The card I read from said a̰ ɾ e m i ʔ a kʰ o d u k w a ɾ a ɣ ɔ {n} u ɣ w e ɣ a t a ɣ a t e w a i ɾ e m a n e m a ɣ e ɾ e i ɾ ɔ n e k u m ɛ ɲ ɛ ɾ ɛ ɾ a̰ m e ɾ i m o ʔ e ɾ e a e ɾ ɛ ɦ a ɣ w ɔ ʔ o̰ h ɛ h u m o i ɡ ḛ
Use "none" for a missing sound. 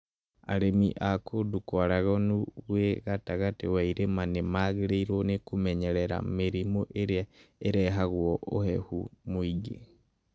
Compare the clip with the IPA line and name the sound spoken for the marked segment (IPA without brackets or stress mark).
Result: n